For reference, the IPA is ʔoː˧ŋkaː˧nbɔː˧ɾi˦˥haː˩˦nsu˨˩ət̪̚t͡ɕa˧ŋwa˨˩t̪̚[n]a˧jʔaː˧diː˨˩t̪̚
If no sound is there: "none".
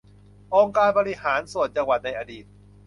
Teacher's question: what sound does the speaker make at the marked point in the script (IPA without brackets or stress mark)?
n